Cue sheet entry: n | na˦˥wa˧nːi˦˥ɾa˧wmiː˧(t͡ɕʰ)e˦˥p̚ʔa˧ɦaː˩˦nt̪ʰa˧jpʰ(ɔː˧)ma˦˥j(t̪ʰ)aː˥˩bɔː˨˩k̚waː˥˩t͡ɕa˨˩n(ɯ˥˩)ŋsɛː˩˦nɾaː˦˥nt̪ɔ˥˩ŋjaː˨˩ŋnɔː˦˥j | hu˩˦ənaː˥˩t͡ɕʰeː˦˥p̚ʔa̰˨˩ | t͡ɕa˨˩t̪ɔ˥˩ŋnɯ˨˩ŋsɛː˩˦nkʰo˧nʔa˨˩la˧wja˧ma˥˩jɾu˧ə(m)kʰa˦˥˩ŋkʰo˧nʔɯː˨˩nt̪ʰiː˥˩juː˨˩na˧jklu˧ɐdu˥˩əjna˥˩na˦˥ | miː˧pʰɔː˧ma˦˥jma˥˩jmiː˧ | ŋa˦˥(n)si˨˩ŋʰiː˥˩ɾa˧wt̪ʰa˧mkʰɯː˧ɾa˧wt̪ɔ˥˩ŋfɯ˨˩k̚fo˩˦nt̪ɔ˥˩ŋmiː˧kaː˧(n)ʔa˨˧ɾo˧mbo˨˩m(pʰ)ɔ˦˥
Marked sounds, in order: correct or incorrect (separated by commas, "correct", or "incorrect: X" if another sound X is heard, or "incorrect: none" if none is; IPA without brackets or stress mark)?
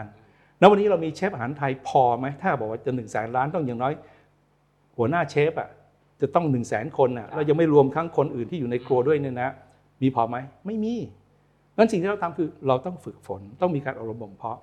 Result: correct, correct, correct, incorrect: ɯ˨˩, correct, correct, correct, correct